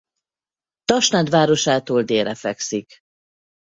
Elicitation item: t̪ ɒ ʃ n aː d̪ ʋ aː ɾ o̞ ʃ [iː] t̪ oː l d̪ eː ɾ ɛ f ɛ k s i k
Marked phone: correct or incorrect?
incorrect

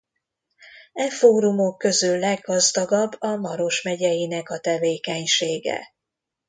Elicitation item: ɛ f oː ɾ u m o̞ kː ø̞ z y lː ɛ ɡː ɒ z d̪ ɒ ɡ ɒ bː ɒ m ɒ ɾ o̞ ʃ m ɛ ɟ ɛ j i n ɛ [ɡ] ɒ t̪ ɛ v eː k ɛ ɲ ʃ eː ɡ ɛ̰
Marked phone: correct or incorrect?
incorrect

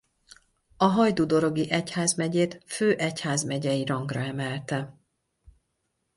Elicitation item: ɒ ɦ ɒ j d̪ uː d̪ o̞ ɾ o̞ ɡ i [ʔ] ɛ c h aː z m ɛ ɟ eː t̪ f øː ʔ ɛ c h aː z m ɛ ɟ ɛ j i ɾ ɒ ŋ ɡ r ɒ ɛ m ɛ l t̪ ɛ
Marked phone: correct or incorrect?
correct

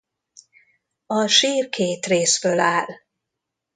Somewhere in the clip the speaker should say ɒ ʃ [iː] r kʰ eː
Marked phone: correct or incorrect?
correct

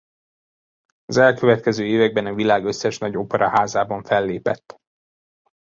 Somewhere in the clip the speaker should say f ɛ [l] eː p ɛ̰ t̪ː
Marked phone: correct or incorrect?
incorrect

